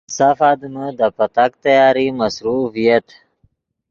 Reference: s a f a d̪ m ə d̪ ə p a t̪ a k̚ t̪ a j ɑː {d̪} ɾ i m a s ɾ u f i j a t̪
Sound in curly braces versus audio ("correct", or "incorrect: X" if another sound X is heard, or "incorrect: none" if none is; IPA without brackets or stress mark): incorrect: none